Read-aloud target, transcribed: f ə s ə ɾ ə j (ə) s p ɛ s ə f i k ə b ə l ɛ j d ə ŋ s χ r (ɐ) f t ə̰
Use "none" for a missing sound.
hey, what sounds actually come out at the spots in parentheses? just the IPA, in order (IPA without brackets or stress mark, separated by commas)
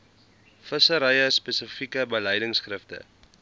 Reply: ə, ə